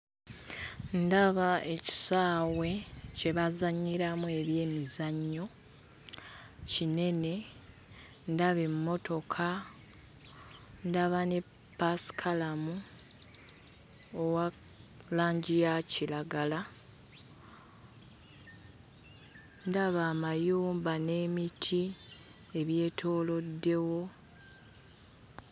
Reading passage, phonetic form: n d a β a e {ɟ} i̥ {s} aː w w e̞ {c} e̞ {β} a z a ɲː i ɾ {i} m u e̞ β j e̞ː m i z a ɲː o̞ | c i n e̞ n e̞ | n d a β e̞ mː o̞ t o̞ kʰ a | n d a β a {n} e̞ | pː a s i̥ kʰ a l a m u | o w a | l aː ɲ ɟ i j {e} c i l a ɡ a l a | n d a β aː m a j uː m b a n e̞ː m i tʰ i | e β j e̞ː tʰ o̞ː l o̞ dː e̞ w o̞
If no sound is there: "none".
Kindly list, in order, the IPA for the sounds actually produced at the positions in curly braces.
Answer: c, s, c, β, a, n, a

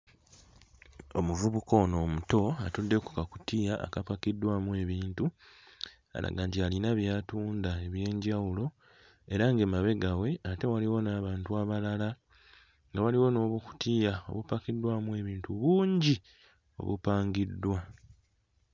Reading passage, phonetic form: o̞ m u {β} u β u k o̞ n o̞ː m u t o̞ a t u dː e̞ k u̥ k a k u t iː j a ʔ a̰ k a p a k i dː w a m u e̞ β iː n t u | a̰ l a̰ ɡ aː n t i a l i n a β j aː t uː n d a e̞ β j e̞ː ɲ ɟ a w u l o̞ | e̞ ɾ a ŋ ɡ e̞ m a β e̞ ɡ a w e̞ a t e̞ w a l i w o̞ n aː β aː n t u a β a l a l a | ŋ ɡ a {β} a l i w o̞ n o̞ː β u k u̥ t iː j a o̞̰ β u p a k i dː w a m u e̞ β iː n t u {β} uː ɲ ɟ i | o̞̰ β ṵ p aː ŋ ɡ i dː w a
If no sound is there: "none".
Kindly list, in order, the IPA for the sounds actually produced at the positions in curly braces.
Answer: v, w, β

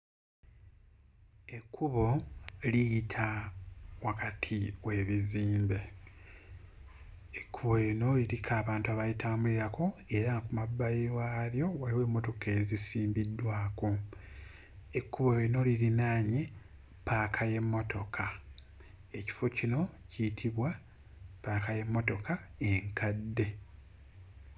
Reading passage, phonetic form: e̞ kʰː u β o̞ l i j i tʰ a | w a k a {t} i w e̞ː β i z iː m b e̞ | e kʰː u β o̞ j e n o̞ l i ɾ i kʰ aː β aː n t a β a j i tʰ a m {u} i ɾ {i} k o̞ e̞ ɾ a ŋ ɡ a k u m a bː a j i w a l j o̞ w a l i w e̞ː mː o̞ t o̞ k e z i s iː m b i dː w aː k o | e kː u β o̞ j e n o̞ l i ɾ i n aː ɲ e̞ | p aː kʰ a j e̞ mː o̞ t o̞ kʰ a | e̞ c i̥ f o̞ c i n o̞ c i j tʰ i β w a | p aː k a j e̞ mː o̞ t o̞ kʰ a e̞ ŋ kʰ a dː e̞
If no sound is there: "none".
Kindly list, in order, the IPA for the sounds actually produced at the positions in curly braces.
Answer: tʰ, u, a

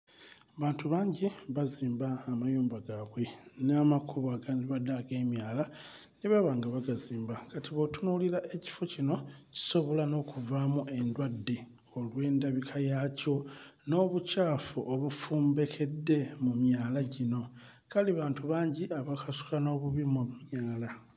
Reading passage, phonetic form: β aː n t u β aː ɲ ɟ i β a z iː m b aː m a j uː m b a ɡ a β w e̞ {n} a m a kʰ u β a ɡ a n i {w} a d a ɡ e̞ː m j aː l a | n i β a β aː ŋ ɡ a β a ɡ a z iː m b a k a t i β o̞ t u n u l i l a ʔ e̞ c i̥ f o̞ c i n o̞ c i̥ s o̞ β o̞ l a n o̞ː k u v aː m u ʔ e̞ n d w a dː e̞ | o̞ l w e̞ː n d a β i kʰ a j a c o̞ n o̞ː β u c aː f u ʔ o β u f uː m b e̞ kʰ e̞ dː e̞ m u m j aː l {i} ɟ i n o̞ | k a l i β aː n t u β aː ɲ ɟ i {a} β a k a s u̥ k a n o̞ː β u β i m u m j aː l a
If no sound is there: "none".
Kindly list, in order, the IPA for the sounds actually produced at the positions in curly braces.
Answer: n, β, a, a

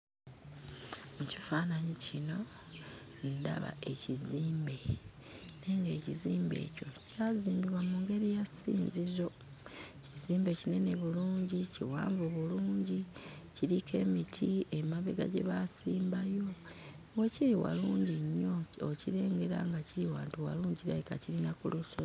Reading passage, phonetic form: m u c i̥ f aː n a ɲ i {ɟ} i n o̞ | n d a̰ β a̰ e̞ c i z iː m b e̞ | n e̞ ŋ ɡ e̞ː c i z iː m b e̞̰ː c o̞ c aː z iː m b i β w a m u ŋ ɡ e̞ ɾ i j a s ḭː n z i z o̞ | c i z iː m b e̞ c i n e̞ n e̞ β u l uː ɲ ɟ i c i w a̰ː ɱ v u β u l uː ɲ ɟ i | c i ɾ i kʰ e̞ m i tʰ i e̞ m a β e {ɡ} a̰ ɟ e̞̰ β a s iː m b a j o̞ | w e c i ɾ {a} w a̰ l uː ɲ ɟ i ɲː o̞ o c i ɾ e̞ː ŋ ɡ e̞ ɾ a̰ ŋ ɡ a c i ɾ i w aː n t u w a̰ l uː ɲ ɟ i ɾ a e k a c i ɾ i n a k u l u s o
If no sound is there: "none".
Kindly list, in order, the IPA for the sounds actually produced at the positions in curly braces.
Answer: c, ɡ, i

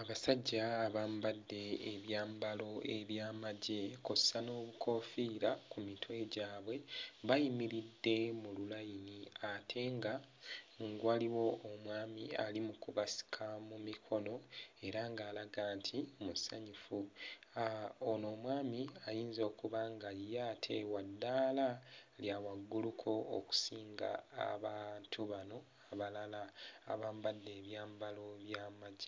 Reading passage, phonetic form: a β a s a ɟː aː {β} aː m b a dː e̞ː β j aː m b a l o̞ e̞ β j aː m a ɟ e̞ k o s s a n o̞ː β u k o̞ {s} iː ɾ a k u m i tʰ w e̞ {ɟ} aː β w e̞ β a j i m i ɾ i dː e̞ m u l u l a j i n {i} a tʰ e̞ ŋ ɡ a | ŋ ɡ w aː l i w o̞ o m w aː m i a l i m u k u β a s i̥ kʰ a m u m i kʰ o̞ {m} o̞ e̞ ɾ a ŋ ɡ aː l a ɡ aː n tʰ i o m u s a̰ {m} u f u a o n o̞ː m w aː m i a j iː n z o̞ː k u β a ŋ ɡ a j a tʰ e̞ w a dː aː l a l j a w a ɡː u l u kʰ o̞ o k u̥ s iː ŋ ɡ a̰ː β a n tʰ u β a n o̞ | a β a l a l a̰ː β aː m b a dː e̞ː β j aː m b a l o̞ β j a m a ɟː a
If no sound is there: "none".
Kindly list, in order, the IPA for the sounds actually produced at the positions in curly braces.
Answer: β, f, ɟ, i, n, ɲ

